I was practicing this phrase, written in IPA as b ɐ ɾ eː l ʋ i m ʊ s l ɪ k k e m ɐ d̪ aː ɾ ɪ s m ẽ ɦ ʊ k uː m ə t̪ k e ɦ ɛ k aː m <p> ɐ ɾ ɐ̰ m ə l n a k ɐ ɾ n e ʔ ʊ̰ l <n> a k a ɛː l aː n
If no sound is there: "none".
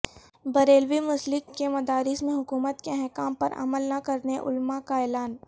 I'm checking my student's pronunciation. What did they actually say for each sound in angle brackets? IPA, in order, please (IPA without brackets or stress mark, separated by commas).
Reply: p, m